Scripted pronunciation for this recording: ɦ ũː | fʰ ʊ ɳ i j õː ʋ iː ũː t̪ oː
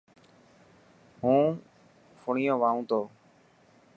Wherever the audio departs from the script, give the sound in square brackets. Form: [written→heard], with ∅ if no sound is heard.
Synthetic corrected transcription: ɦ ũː | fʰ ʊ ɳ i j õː ʋ [iː→aː] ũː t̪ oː